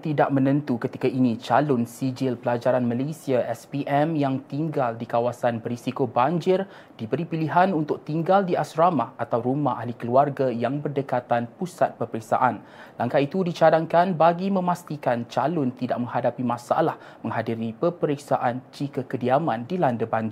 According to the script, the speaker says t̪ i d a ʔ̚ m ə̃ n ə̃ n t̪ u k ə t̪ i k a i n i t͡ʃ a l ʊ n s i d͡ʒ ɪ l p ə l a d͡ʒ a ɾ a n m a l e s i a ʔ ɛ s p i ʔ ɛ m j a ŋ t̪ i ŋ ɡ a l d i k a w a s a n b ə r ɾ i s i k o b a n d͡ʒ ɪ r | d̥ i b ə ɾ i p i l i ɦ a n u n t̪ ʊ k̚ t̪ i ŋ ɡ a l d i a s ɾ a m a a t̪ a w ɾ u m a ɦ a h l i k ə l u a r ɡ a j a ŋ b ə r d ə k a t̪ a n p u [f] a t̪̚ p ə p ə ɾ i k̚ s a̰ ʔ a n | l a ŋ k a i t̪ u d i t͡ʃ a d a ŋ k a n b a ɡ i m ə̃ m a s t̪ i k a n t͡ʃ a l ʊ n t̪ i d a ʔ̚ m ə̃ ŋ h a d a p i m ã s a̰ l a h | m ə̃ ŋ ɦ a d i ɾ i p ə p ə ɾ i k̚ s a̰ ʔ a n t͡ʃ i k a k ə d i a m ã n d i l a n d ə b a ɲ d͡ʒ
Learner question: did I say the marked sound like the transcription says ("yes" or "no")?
no